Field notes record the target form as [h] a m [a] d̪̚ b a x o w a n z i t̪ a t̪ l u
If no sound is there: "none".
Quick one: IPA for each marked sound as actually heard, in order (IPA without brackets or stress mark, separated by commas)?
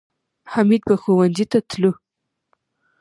h, i